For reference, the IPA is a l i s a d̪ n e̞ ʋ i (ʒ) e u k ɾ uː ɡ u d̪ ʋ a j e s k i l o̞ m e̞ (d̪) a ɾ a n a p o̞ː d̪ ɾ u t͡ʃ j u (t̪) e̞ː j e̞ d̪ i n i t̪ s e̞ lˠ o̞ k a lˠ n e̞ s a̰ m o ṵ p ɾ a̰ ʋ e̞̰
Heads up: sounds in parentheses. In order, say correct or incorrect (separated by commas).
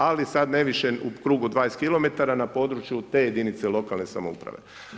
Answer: incorrect, incorrect, correct